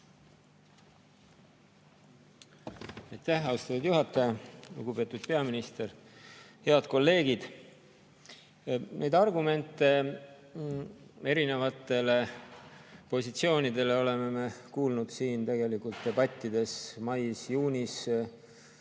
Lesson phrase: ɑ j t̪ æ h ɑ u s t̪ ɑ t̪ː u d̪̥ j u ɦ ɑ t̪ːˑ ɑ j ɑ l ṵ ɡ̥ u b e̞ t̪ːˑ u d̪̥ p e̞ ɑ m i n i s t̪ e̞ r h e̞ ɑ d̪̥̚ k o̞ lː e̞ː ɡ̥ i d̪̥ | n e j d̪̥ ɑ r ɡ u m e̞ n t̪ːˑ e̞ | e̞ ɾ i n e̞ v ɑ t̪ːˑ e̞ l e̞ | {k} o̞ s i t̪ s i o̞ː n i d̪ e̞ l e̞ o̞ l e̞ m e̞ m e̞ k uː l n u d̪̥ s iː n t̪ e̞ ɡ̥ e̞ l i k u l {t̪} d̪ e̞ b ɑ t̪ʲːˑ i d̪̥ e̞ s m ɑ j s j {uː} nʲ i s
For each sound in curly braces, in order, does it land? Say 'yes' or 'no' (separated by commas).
no, yes, yes